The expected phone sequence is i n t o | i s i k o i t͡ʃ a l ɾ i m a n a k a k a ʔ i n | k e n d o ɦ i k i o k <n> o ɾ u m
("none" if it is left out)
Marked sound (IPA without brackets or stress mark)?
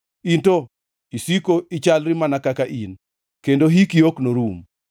n